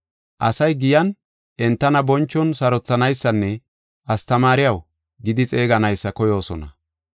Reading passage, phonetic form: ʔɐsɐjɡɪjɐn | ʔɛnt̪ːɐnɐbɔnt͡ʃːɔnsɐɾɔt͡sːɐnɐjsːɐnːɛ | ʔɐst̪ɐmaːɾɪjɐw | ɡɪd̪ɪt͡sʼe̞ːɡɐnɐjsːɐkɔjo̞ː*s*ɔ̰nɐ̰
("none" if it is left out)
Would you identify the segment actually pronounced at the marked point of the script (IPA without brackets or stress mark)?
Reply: s